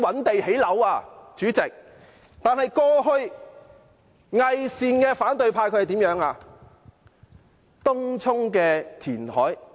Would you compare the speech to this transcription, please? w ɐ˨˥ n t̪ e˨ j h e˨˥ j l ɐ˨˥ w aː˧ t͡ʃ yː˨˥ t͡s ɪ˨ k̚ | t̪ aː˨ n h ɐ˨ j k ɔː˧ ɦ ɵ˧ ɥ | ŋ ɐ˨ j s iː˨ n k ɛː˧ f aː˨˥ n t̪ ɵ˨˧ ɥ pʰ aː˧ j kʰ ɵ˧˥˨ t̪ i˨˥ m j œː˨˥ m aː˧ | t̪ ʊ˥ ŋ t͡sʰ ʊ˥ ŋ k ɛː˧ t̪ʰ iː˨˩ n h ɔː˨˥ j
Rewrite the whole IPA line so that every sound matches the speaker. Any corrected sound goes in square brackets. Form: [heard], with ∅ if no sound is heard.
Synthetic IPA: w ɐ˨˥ n t̪ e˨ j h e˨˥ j l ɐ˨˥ w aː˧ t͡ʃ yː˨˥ t͡s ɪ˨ k̚ | t̪ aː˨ n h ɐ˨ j k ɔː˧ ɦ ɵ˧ ɥ | ŋ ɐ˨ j s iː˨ n k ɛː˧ f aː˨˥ n t̪ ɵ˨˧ ɥ pʰ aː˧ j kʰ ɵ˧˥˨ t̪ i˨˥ m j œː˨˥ [ŋ] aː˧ | t̪ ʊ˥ ŋ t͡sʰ ʊ˥ ŋ k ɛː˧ t̪ʰ iː˨˩ n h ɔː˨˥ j

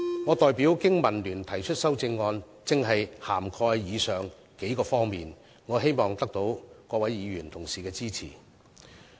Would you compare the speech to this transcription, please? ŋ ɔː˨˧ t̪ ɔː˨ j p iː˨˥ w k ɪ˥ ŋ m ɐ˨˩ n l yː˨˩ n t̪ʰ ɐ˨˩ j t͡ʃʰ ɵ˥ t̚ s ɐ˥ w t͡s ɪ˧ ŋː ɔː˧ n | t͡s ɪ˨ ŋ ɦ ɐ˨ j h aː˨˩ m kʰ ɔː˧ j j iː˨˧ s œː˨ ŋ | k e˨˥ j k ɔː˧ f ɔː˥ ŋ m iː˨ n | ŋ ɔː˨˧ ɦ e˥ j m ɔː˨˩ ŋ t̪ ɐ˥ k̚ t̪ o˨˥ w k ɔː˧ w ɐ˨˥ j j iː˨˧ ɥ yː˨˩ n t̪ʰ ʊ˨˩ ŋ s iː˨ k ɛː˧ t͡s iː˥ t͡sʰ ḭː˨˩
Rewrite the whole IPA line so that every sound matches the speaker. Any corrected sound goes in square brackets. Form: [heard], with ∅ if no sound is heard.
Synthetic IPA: ŋ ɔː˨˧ t̪ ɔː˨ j p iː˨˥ w k ɪ˥ ŋ m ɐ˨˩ n l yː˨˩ n t̪ʰ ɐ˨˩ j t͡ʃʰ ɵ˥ t̚ s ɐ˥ w t͡s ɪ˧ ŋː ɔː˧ n | t͡s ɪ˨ ŋ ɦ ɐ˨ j h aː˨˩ m kʰ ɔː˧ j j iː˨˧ s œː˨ ŋ | k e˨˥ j k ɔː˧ f ɔː˥ ŋ m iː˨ n | ŋ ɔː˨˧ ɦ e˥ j m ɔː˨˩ ŋ t̪ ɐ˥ k̚ t̪ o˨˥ w k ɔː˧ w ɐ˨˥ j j iː˨˧ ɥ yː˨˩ n t̪ʰ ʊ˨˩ ŋ s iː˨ k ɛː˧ t͡s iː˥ t͡sʰ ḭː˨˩

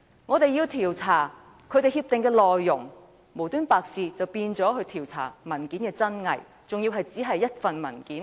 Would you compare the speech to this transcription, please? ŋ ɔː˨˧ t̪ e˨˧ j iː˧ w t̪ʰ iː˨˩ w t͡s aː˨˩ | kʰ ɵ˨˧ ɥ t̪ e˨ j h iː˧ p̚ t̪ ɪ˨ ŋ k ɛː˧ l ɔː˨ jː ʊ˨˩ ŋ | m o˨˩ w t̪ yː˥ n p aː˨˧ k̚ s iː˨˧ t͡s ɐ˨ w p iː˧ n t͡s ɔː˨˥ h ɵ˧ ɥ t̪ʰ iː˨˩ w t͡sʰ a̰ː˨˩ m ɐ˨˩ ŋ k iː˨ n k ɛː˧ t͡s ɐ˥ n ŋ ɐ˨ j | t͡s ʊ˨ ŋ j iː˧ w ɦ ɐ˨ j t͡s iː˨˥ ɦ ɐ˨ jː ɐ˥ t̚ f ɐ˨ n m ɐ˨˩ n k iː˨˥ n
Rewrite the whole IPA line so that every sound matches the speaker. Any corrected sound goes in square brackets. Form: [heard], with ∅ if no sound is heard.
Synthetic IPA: ŋ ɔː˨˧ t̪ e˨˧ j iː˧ w t̪ʰ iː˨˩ w [t͡sʰ] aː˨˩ | kʰ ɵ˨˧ ɥ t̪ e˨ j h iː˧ p̚ t̪ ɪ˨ ŋ k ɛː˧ l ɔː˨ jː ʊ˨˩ ŋ | m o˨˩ w t̪ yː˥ n p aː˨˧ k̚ s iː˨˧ t͡s ɐ˨ w p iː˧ n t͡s ɔː˨˥ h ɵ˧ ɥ t̪ʰ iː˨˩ w t͡sʰ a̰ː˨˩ m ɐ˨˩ [n] k [iː˨˥] n k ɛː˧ t͡s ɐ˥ n ŋ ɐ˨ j | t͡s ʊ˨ ŋ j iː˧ w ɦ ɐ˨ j t͡s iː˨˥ ɦ ɐ˨ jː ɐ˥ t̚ f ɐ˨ n m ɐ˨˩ n k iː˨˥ n

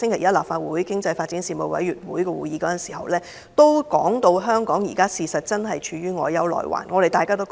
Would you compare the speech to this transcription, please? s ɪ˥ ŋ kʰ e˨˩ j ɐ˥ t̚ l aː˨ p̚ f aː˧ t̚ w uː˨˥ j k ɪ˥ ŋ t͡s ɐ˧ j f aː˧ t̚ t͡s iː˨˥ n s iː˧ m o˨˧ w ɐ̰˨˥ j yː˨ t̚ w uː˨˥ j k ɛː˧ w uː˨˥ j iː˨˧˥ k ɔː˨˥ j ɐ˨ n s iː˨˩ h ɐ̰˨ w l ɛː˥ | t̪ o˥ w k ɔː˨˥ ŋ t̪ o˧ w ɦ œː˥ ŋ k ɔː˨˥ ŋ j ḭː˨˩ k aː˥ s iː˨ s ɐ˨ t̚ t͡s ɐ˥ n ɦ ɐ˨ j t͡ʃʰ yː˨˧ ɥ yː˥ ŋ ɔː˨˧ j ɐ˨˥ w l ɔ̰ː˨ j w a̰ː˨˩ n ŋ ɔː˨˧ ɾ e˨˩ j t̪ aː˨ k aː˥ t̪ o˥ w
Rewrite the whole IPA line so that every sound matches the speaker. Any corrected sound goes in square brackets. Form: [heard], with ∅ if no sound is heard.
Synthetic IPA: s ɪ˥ ŋ kʰ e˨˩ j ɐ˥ t̚ l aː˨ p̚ f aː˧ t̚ w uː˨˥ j k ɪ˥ ŋ t͡s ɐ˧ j f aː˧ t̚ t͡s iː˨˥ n s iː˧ m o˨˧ w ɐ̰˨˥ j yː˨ t̚ w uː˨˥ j k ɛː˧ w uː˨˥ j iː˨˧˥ k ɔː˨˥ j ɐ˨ n s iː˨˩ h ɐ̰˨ w l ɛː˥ | t̪ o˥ w k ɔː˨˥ ŋ t̪ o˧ w ɦ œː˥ ŋ k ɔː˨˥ ŋ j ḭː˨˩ k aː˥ s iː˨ s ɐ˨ t̚ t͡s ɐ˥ n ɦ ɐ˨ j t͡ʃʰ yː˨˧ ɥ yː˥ ŋ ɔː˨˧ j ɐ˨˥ w l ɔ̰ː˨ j w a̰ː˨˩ n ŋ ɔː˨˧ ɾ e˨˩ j t̪ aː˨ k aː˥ t̪ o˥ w

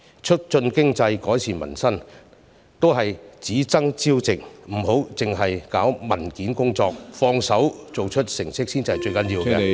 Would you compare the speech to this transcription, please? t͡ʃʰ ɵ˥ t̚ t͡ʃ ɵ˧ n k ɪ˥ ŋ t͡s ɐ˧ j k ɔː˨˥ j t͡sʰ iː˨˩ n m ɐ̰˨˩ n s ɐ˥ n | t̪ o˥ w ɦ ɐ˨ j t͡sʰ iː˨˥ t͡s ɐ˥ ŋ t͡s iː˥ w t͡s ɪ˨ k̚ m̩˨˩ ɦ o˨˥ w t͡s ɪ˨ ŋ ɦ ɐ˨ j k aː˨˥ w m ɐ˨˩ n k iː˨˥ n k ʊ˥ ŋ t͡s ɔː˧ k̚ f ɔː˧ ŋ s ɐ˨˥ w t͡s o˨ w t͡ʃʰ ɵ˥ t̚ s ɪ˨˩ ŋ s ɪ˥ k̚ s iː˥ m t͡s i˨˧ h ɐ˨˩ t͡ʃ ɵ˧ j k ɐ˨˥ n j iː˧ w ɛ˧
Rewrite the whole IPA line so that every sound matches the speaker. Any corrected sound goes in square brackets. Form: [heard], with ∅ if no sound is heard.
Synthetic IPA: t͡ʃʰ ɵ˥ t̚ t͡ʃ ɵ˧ n k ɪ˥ ŋ t͡s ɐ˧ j k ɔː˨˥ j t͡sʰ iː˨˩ n m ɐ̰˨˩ n s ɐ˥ n | t̪ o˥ w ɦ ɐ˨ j [t͡s] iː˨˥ t͡s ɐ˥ ŋ t͡s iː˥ w t͡s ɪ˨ k̚ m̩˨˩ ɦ o˨˥ w t͡s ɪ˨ ŋ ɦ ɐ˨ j k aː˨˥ w m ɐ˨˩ n k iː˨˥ n k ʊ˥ ŋ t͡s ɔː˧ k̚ f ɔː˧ ŋ s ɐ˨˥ w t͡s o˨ w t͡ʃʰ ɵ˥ t̚ s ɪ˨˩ ŋ s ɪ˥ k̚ s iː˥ [n] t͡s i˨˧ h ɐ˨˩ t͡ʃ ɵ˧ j k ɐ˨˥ n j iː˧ w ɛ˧

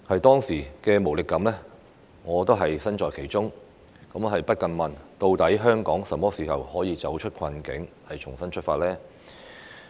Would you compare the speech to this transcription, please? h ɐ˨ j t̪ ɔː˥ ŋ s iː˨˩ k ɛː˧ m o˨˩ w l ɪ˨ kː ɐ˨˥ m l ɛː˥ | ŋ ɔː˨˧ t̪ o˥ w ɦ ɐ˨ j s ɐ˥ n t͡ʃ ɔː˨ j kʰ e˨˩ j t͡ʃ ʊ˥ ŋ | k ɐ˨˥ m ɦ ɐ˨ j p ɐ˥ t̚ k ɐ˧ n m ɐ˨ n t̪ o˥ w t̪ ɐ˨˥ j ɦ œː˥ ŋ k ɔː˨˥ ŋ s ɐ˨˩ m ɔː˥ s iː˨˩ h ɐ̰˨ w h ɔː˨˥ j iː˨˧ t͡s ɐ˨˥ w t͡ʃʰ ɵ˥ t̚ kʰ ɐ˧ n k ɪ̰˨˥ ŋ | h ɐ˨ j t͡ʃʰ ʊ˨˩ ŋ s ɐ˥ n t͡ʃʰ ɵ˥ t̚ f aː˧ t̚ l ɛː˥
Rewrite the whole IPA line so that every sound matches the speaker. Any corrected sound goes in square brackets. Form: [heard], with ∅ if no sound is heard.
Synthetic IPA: h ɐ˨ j t̪ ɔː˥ ŋ s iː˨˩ k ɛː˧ m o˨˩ w l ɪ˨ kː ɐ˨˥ m l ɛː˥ | ŋ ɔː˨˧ t̪ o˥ w ɦ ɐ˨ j s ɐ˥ n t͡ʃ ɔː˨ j kʰ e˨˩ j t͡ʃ ʊ˥ ŋ | k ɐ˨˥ m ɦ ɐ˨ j p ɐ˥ t̚ k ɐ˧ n m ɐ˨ n t̪ [o˧] w t̪ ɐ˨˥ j ɦ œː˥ ŋ k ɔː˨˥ ŋ s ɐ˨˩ m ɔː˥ s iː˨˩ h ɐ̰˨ w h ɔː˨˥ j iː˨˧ t͡s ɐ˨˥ w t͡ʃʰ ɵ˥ t̚ kʰ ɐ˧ n k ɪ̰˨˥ ŋ | h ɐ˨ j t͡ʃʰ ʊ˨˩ ŋ s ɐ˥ n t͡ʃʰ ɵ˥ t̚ f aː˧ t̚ l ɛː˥

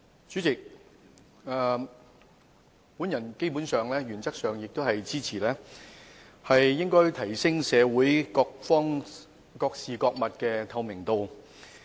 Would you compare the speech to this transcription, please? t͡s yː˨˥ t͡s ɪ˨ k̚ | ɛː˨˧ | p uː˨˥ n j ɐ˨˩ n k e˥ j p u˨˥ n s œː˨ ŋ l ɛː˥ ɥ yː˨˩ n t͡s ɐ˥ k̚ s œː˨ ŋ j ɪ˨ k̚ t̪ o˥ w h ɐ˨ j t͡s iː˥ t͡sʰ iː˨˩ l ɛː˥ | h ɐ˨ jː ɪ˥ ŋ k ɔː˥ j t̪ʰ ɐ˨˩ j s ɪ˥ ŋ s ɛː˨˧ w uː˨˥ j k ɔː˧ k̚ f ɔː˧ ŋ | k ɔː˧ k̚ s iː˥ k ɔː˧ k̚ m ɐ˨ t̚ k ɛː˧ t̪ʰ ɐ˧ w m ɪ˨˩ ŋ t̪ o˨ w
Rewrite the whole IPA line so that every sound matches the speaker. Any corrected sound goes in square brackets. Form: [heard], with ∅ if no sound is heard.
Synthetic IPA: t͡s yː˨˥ t͡s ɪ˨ k̚ | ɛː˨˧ | p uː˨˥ n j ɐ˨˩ n k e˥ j p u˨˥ n s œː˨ ŋ l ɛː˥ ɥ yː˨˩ n t͡s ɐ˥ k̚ s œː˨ ŋ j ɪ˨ k̚ t̪ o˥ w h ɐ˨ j t͡s iː˥ t͡sʰ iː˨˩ l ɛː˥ | h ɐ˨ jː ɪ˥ ŋ k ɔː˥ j t̪ʰ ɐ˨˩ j s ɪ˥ ŋ s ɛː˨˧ w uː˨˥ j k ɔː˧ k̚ f [ɔː˥] ŋ | k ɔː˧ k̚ s [iː˨] k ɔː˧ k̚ m ɐ˨ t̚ k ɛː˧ t̪ʰ ɐ˧ w m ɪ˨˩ ŋ t̪ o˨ w

